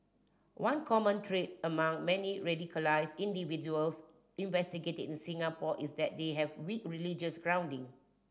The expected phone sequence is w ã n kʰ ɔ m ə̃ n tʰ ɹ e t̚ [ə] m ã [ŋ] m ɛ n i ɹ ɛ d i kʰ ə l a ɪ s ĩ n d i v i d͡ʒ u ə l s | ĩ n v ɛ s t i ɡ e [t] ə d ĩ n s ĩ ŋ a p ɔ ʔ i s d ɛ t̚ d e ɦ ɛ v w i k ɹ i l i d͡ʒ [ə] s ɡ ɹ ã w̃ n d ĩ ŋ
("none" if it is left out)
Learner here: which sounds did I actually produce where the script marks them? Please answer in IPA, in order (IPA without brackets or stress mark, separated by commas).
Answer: ə, ŋ, t, ə